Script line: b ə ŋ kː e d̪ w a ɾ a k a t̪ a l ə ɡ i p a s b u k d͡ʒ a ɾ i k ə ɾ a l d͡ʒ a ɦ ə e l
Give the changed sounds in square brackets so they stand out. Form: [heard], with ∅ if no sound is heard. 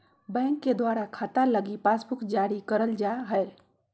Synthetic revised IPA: b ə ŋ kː e d̪ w a ɾ a [kʰ] a t̪ a l ə ɡ i p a s b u k d͡ʒ a ɾ i k ə ɾ [ə] l d͡ʒ a ɦ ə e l